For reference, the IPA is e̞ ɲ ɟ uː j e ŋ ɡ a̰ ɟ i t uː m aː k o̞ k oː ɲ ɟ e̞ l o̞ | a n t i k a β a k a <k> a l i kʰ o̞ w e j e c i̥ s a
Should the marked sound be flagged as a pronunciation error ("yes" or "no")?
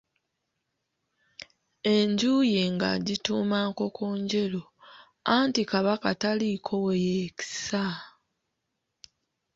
yes